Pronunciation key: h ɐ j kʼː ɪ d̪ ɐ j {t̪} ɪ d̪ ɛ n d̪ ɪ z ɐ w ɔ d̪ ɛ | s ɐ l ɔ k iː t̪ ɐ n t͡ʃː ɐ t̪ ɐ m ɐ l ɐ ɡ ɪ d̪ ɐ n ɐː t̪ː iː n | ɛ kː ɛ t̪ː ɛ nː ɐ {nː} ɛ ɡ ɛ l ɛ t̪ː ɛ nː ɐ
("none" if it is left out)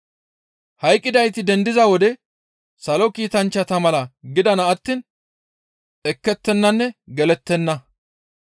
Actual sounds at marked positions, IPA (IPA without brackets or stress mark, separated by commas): t̪, nː